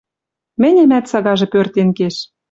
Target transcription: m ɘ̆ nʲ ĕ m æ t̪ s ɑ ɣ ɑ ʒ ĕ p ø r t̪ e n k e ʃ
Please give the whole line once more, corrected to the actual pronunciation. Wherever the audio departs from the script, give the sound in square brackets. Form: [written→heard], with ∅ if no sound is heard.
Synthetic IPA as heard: m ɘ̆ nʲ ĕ m æ t̪ s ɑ ɣ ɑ ʒ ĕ p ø r t̪ e n k e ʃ